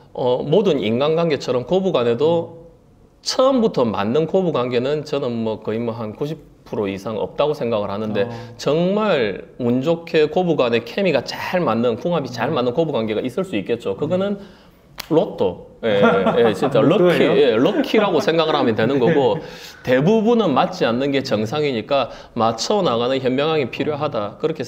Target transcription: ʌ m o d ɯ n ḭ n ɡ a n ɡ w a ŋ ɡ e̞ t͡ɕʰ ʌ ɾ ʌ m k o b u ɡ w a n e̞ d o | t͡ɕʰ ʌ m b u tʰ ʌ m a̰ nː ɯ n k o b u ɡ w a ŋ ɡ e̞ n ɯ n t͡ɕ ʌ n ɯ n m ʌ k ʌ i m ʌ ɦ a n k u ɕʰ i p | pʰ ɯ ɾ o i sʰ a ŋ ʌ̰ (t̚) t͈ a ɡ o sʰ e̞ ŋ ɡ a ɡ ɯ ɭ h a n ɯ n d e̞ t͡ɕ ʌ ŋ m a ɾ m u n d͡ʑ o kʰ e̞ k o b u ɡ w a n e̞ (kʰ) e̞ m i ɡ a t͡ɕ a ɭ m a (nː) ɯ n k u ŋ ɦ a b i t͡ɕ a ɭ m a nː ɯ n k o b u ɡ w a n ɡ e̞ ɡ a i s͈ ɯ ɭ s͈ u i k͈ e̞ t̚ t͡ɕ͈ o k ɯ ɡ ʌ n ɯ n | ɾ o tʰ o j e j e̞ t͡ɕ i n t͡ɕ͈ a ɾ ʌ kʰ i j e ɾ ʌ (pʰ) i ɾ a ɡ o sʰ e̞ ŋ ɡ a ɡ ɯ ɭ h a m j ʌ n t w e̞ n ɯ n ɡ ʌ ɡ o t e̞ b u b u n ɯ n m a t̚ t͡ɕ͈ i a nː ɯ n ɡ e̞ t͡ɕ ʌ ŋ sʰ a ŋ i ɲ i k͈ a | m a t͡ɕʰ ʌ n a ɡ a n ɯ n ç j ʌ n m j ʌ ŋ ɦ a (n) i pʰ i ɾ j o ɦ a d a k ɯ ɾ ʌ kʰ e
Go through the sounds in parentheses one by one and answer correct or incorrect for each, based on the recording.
incorrect, correct, correct, incorrect, incorrect

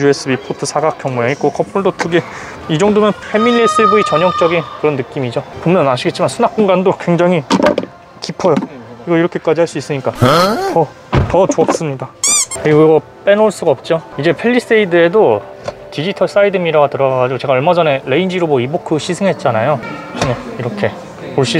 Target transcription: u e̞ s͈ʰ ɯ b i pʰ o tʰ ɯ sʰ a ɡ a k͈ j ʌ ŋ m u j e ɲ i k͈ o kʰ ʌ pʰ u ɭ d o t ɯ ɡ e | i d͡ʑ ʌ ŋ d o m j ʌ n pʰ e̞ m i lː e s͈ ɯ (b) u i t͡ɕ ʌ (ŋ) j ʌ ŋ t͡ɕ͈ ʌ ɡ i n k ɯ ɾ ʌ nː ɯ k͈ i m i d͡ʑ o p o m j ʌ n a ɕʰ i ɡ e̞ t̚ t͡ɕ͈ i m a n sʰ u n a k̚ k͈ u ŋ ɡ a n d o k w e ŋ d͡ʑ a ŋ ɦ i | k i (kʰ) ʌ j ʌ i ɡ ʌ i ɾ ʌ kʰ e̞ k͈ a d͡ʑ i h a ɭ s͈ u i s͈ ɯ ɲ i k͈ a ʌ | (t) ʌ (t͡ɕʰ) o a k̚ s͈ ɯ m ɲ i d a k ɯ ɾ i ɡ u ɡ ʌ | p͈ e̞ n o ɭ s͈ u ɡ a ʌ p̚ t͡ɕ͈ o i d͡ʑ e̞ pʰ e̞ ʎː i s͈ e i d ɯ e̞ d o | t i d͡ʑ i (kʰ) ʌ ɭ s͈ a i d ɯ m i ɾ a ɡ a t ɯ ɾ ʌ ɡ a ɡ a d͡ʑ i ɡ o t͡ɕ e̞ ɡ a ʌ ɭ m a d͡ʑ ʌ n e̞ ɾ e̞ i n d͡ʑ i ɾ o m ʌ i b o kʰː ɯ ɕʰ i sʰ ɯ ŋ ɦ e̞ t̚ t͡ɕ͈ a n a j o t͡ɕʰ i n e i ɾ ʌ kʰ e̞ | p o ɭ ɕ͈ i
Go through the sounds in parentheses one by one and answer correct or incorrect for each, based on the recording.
correct, incorrect, incorrect, correct, incorrect, incorrect

